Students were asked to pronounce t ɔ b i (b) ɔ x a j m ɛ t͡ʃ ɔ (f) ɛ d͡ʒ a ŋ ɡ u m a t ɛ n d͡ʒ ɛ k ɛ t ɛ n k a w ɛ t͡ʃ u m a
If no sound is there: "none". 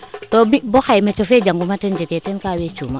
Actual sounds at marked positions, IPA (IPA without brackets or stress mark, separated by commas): b, f